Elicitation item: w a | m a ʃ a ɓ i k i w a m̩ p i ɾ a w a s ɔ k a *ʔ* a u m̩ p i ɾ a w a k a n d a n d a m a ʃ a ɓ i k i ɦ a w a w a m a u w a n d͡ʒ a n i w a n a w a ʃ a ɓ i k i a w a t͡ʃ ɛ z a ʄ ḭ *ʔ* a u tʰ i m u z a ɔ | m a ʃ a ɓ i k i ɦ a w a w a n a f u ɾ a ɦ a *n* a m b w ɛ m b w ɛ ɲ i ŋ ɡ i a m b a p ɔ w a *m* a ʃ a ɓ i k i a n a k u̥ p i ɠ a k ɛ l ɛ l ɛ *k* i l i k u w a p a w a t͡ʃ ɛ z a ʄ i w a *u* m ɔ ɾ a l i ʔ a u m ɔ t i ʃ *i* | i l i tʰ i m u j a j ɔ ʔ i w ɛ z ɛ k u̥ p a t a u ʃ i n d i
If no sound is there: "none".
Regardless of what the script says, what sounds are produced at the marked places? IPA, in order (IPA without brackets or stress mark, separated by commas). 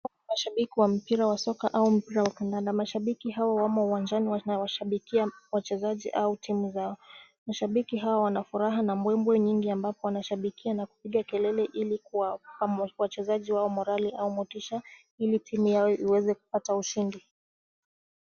ʔ, ʔ, n, n, ʔ, ɔ, a